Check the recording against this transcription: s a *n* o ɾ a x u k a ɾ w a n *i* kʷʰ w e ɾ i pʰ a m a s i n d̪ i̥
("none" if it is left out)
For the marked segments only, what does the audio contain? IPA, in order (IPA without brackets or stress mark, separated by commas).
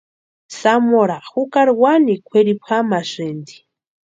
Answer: m, i